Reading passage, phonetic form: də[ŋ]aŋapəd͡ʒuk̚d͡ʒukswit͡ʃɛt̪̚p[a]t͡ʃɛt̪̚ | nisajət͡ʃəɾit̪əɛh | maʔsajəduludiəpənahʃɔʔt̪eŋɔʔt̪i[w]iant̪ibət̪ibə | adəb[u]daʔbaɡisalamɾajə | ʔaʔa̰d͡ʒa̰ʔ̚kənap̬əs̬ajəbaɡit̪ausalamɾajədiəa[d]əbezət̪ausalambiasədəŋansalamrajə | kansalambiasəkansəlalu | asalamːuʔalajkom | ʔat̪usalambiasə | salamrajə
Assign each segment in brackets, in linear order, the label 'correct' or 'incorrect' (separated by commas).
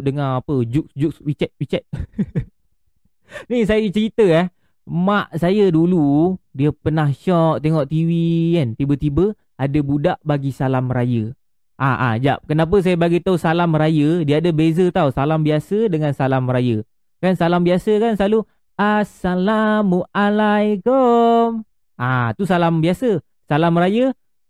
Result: correct, incorrect, correct, correct, correct